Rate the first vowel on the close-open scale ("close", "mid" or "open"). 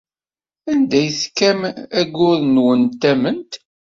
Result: open